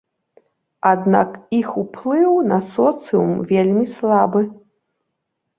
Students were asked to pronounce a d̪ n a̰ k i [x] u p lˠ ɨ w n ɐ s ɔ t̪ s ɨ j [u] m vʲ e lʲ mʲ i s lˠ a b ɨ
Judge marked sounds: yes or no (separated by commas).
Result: yes, yes